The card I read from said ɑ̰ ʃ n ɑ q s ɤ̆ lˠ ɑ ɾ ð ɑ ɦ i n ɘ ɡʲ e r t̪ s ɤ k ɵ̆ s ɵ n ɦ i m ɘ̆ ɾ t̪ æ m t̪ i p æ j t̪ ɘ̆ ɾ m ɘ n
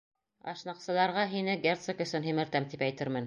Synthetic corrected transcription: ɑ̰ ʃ n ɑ q s ɤ̆ lˠ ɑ ɾ ʁ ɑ ɦ i n ɘ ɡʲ e r t̪ s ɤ k ɵ̆ s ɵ n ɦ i m ɘ̆ ɾ t̪ æ m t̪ i p æ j t̪ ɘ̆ ɾ m ɘ n